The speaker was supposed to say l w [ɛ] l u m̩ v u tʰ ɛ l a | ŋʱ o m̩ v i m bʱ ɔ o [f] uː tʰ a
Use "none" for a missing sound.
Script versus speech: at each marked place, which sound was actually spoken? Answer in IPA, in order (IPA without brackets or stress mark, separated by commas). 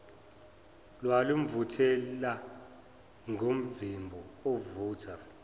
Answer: a, v